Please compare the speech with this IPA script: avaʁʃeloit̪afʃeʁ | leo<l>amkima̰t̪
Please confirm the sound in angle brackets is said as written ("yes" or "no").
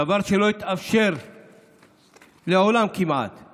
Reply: yes